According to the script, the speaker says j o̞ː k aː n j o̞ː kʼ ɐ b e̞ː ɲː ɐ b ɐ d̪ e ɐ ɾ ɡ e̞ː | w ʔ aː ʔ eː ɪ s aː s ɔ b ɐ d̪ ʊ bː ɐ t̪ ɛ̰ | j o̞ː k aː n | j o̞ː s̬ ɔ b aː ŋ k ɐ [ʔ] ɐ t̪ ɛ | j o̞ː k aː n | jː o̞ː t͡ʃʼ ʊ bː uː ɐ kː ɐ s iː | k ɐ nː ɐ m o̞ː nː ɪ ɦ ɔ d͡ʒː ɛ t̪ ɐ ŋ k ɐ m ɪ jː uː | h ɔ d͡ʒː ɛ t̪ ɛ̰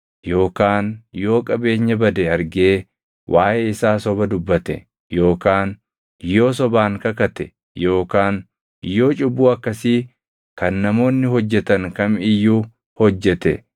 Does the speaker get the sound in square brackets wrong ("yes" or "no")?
yes